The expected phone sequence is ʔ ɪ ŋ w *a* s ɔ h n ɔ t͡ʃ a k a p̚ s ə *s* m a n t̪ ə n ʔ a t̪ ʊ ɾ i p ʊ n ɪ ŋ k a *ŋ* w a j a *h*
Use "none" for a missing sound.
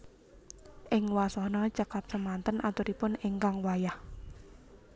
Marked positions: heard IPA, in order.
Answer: a, none, ŋ, h

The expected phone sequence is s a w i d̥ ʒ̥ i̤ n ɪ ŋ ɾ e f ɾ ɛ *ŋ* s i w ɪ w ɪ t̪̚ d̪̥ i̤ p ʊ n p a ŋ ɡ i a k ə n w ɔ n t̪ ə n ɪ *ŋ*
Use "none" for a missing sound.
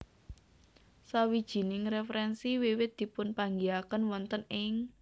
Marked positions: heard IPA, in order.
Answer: n, ŋ

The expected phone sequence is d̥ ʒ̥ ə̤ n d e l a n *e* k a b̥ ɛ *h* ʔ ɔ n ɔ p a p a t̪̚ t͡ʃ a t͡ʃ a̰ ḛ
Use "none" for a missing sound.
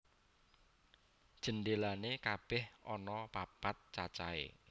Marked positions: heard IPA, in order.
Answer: e, h

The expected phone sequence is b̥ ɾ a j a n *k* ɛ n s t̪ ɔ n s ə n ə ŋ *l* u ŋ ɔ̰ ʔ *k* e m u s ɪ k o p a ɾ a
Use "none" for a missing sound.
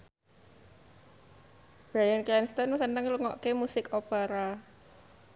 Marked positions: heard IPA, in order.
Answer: k, l, k

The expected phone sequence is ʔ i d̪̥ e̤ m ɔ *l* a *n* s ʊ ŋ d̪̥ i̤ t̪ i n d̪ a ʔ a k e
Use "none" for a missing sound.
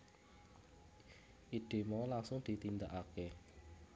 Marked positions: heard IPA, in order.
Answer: l, ŋ

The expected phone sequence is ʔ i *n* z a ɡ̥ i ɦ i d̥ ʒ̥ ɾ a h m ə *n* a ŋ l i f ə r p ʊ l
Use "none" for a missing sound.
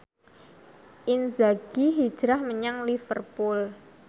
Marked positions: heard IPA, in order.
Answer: n, ɲ

